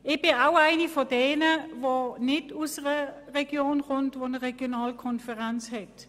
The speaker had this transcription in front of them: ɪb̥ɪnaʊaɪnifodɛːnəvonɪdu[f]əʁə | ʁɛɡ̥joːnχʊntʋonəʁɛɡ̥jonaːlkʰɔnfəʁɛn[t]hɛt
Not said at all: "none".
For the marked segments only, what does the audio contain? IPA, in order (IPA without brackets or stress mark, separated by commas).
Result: s, t͡s